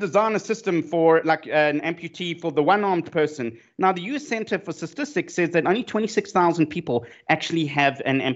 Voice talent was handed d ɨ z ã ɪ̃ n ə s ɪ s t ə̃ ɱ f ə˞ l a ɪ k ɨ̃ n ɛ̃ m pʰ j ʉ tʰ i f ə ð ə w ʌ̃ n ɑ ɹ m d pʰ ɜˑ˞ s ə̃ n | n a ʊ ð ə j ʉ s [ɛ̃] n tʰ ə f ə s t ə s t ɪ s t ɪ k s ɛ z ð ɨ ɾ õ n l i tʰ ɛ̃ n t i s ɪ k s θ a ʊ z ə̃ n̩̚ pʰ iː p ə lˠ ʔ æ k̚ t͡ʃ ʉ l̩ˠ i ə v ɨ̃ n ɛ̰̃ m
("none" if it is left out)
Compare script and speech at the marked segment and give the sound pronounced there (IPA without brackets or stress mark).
ɛ̃